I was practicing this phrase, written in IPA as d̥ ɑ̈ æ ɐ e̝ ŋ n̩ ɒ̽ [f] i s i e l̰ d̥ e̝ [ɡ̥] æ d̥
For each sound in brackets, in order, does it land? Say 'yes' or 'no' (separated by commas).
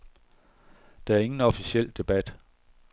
yes, no